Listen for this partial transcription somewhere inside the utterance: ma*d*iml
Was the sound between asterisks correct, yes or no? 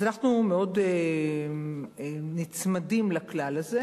yes